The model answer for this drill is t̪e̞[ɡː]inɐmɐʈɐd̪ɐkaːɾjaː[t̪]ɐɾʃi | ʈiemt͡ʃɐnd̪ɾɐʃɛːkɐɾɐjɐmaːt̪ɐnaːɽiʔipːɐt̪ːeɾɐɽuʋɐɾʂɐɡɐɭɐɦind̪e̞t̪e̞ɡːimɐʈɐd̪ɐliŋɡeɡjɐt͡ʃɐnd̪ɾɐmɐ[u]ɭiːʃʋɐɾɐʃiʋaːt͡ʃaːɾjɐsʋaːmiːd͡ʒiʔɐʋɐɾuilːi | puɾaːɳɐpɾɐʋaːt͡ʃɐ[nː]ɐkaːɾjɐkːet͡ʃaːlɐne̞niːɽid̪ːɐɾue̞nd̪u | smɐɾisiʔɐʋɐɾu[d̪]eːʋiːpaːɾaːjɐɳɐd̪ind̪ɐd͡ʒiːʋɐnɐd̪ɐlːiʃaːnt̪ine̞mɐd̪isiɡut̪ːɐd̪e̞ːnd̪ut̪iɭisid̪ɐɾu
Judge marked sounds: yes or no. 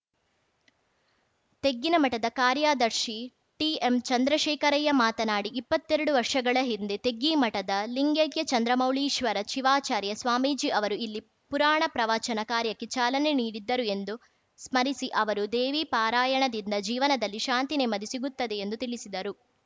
yes, no, no, no, yes

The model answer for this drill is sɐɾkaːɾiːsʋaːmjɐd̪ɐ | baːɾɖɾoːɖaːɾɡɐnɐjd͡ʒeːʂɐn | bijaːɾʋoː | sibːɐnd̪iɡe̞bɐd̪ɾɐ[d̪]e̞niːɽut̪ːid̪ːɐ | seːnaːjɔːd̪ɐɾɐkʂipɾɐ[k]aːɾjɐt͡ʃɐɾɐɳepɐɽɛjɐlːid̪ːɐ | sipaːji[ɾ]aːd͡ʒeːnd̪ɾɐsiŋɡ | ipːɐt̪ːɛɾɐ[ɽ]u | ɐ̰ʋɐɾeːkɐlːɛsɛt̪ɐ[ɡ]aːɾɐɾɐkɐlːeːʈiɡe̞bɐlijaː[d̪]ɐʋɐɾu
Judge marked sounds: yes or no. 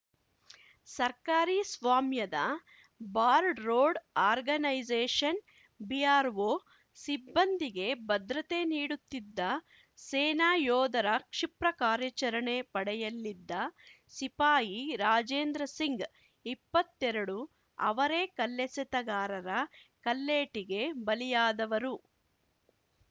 no, yes, yes, yes, yes, yes

